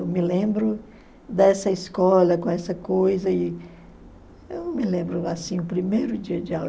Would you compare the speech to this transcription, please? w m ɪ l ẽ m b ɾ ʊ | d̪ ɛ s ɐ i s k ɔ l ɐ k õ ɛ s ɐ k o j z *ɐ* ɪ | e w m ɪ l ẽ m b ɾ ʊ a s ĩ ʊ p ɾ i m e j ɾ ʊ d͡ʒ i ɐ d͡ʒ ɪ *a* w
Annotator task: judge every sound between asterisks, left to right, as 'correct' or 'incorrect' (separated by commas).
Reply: correct, correct